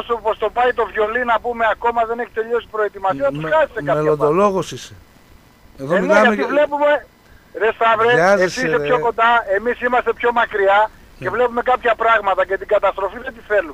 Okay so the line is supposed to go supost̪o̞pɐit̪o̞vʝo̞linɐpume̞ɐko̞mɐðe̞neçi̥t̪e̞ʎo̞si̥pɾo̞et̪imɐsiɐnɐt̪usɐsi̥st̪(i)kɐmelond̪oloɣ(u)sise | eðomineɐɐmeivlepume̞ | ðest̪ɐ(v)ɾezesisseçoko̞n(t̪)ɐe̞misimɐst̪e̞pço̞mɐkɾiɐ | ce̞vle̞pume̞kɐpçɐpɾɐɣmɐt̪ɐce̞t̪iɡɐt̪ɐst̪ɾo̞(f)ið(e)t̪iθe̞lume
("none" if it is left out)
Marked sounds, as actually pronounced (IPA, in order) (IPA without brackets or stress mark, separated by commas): e, o, v, d̪, f, e